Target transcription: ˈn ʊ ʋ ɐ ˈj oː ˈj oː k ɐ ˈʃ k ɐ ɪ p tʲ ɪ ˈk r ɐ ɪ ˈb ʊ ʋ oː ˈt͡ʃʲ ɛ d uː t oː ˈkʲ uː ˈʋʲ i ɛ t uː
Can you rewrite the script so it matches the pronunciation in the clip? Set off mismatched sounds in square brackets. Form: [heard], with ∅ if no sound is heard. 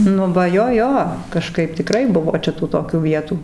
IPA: ˈn ʊ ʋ ɐ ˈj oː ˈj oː k ɐ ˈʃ k ɐ ɪ p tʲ ɪ ˈk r ɐ ɪ ˈb ʊ ʋ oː ˈt͡ʃʲ ɛ [t] uː t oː ˈkʲ uː ˈʋʲ i ɛ t uː